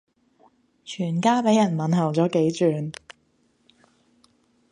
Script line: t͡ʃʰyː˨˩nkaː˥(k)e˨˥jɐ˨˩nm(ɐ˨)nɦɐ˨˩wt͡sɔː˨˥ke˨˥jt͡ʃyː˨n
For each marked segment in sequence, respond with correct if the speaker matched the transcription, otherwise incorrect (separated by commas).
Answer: incorrect, correct